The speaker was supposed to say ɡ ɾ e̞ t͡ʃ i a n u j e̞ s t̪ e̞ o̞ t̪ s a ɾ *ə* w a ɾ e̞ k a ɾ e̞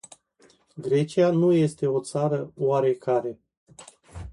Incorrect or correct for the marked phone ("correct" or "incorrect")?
correct